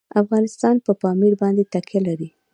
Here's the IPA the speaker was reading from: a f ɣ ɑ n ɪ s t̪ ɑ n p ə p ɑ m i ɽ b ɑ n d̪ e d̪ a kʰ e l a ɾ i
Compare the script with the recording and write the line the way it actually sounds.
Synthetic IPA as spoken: a f ɣ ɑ n ɪ s t̪ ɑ n p ə p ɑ m i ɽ b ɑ n d̪ e t̪ a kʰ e l a ɾ i